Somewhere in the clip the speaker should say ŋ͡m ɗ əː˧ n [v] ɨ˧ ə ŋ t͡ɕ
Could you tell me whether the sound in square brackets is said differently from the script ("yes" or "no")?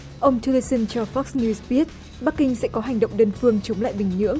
yes